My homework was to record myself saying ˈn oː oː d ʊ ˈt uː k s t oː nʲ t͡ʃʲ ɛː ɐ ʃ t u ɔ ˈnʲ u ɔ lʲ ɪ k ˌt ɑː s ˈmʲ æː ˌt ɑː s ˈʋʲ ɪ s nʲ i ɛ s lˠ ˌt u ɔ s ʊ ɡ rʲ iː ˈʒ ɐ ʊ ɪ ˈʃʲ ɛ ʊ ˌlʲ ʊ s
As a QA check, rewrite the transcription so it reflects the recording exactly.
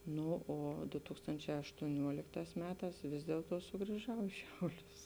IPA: ˈn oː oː d ʊ ˈt uː k s t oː nʲ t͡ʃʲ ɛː ɐ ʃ t u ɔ ˈnʲ u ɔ lʲ ɪ k ˌt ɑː s ˈmʲ æː ˌt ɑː s ˈʋʲ ɪ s dʲ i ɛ lˠ ˌt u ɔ s ʊ ɡ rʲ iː ˈʒ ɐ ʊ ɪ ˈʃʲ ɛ ʊ ˌlʲ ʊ s